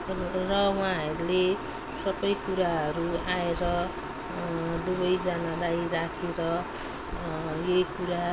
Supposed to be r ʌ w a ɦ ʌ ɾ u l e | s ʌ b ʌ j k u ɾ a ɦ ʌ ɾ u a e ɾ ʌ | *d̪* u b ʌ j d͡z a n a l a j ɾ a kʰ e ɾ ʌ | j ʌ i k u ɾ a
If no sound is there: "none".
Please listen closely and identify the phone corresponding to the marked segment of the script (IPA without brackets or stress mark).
d̪